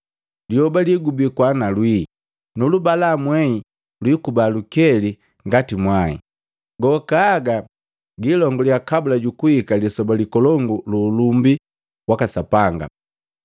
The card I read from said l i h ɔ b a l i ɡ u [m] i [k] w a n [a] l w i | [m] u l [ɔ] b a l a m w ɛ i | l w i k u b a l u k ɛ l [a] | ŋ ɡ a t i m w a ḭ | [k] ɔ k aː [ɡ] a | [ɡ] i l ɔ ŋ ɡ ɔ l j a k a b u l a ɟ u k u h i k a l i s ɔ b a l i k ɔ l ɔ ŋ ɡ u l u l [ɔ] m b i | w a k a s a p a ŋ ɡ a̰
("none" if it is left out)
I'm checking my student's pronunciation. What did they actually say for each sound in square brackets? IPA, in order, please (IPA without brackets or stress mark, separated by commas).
b, k, a, n, u, i, ɡ, ɡ, ɡ, u